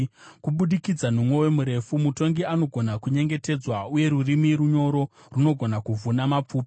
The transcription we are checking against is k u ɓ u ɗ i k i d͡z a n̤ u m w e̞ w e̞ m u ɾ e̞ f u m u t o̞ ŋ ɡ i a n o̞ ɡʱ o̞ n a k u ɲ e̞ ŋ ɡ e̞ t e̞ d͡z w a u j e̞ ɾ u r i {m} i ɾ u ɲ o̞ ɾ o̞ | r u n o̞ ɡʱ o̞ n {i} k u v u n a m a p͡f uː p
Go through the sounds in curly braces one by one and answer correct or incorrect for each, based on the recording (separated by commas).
correct, incorrect